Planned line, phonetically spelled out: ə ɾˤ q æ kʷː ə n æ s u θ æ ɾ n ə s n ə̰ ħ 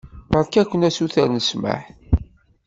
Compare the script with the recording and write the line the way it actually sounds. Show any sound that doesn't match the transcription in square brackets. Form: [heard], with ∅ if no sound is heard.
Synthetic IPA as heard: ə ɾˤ [k] æ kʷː ə n æ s u θ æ ɾ n ə s [m] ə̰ ħ